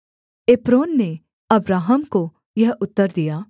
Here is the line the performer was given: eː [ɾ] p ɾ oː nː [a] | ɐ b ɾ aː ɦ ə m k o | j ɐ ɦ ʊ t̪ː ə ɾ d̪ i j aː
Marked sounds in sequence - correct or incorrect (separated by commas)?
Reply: incorrect, incorrect